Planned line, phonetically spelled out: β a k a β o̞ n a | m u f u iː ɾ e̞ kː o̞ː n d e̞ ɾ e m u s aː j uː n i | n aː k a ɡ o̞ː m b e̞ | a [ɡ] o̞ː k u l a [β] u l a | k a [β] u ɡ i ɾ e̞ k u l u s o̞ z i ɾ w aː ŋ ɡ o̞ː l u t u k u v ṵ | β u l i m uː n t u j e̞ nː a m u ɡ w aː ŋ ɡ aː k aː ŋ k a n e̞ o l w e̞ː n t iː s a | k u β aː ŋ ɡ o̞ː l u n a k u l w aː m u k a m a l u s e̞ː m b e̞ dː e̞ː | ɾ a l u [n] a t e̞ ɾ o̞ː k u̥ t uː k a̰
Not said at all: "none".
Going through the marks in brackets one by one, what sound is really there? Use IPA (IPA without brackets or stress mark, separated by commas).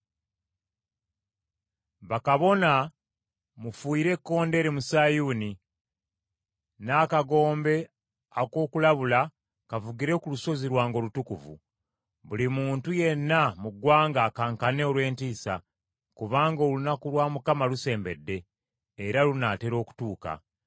k, β, v, n